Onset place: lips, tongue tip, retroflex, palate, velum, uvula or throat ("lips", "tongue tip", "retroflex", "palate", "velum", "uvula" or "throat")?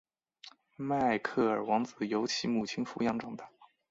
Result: lips